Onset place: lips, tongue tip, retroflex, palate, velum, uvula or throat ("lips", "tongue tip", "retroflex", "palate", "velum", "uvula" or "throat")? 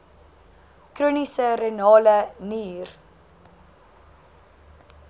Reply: velum